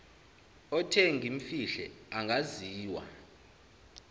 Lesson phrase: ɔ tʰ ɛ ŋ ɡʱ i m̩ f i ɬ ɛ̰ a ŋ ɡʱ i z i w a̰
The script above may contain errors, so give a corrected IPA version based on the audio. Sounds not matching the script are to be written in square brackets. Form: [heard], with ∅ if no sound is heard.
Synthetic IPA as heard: ɔ tʰ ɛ ŋ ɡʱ i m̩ f i ɬ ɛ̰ a ŋ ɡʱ [a] z [iː] w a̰